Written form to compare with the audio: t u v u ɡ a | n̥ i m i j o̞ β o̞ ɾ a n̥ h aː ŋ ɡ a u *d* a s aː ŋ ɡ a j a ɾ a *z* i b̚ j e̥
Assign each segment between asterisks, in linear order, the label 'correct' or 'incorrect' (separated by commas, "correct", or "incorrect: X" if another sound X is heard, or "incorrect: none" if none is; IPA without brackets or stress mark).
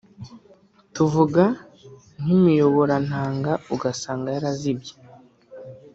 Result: incorrect: ɡ, correct